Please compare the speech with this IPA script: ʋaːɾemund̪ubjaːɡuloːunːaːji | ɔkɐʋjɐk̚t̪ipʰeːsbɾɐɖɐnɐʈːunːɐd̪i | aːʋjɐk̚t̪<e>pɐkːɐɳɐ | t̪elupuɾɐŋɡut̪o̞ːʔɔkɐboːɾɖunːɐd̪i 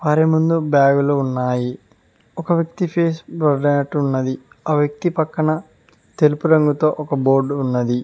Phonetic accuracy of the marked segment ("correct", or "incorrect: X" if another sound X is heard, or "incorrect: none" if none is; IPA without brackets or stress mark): incorrect: i